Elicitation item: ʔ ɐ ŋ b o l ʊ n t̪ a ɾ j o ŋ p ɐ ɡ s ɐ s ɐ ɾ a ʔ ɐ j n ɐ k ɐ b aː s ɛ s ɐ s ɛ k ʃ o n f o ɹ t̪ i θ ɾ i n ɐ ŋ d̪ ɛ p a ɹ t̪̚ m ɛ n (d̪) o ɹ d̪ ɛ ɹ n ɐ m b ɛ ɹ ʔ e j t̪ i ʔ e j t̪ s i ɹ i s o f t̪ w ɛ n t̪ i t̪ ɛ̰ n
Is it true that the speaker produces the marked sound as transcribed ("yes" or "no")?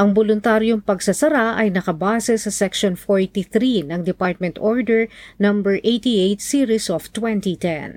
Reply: no